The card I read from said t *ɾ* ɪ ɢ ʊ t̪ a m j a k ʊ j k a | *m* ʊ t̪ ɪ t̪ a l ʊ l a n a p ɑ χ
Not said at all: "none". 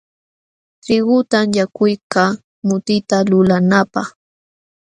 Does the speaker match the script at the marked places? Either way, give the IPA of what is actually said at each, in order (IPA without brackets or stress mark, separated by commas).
ɾ, m